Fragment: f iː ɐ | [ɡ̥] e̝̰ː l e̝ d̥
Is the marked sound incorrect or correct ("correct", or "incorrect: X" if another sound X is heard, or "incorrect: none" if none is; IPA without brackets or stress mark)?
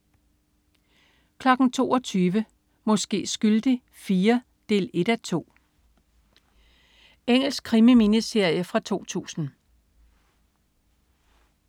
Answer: incorrect: d̥